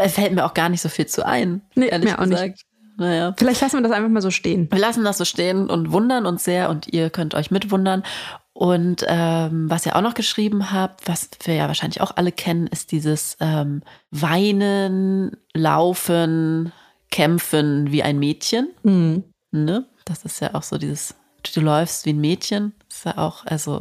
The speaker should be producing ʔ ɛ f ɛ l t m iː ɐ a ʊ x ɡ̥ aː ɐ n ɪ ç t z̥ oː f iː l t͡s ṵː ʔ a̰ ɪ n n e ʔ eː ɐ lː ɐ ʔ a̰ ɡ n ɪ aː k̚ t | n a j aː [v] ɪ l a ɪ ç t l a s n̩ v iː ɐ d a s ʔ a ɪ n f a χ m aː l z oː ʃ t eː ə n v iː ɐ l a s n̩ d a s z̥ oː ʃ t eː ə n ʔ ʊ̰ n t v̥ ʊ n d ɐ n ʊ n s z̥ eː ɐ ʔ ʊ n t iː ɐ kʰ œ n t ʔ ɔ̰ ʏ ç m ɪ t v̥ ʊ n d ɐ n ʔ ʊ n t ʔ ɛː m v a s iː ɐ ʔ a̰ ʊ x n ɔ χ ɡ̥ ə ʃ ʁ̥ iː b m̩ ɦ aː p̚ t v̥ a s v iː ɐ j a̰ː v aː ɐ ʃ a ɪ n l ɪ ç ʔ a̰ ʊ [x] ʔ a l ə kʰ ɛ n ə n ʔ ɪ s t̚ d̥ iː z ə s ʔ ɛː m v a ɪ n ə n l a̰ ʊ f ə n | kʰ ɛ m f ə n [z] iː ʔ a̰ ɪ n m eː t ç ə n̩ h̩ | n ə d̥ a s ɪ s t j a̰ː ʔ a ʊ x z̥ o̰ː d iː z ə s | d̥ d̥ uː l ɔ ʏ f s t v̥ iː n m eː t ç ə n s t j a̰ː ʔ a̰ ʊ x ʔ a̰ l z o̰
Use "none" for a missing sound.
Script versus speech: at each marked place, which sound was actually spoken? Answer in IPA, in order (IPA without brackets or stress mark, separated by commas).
f, x, v